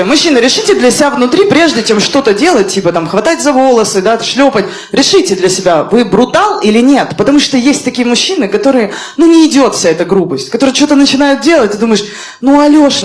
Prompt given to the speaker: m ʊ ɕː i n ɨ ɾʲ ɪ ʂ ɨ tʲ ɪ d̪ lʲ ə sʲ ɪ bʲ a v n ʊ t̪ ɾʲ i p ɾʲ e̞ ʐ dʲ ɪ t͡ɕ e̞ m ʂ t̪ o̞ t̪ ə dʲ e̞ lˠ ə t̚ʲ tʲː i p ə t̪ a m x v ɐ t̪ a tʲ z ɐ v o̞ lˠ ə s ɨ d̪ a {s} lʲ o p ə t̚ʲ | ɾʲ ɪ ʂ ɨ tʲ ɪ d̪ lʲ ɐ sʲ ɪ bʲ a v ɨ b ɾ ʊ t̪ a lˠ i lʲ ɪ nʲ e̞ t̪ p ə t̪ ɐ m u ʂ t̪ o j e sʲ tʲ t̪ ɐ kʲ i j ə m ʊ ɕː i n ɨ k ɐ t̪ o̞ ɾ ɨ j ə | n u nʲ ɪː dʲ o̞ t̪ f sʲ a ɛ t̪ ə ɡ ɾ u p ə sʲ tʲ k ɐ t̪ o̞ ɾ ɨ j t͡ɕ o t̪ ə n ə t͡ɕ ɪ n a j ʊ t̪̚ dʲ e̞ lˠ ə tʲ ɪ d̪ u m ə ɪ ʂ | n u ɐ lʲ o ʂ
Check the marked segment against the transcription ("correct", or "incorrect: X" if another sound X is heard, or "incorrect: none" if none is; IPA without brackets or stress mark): incorrect: ʂ